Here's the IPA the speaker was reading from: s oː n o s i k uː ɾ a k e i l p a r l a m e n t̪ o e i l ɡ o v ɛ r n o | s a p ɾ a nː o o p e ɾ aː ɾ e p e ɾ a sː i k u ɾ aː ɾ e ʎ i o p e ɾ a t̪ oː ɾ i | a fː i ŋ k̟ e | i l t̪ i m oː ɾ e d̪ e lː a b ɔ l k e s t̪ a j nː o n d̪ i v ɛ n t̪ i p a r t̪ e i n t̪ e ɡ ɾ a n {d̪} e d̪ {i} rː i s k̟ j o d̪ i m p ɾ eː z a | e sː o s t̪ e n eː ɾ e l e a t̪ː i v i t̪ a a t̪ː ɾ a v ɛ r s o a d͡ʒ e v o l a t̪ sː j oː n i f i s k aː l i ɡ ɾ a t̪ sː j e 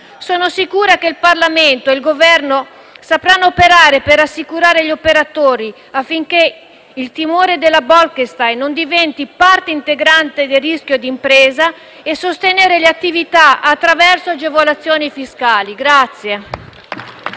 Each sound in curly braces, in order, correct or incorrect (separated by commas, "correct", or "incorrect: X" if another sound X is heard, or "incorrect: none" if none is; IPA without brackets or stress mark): incorrect: t̪, incorrect: e